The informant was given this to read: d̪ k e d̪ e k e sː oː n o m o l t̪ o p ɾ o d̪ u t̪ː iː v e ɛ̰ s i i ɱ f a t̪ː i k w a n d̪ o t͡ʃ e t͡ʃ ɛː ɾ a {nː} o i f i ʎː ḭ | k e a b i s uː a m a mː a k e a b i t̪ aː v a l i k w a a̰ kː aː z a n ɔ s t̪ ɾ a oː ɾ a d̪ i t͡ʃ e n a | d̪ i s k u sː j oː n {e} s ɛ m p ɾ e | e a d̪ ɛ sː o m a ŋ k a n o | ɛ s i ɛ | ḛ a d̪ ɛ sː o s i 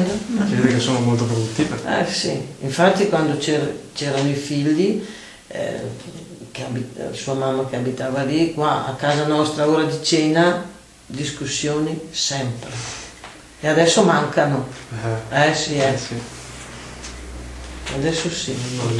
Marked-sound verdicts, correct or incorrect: incorrect, incorrect

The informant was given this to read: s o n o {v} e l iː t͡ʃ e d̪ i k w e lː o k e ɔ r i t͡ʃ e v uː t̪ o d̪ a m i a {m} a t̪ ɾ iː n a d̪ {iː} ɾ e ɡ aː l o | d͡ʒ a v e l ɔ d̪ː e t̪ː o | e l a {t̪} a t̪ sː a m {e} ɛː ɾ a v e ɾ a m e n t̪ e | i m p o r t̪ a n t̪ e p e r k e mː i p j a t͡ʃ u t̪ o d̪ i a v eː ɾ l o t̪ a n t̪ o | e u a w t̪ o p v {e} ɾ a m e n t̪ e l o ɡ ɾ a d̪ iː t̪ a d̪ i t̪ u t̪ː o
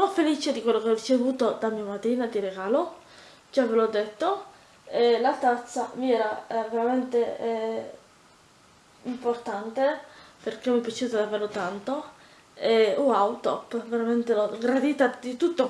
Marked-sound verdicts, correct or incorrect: incorrect, correct, incorrect, correct, incorrect, correct

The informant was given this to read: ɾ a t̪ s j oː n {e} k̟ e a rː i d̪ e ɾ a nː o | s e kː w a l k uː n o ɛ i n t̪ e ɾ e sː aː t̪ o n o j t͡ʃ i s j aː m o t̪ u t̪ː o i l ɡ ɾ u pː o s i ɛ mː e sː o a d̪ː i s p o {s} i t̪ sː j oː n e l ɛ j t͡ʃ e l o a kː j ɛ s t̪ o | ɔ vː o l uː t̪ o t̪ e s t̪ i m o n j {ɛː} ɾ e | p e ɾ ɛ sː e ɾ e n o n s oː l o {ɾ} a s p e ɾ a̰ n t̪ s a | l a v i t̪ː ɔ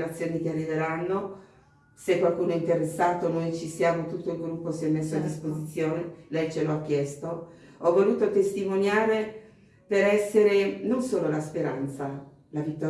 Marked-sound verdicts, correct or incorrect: incorrect, incorrect, incorrect, incorrect

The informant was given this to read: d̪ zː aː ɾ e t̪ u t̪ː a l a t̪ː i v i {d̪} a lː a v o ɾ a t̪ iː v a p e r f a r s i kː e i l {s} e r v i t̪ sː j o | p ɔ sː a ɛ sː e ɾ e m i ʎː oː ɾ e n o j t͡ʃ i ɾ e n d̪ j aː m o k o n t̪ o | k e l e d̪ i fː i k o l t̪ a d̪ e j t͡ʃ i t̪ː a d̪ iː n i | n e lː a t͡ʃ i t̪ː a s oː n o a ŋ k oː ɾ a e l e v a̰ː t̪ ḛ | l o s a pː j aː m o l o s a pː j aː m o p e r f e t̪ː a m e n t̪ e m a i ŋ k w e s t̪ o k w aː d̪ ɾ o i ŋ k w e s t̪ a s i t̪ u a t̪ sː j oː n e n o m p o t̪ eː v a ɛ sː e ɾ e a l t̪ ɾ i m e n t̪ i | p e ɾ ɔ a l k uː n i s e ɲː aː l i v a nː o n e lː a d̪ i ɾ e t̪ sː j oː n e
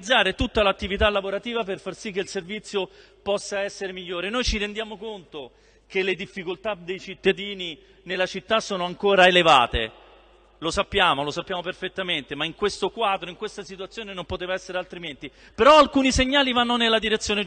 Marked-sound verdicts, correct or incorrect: incorrect, correct

